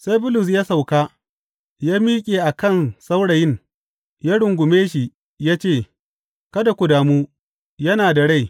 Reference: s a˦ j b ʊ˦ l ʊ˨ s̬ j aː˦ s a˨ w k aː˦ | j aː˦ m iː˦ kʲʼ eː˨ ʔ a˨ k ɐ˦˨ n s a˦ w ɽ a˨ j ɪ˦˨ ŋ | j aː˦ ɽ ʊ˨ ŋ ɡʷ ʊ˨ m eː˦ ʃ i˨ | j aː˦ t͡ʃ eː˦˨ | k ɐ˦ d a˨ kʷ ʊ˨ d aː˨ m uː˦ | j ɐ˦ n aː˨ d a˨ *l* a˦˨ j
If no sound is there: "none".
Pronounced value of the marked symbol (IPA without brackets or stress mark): ɽ